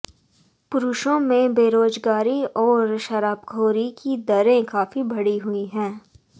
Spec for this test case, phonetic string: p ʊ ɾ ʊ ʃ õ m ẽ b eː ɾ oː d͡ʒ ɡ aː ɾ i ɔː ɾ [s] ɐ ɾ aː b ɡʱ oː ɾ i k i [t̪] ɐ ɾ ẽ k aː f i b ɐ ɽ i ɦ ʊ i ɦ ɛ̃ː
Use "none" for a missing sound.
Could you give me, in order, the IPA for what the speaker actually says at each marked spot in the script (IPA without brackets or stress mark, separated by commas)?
ʃ, d̪